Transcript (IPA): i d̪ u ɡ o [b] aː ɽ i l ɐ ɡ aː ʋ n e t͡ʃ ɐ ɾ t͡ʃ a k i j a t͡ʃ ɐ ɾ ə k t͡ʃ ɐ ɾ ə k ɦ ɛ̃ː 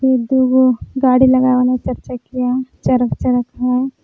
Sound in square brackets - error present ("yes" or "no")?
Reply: yes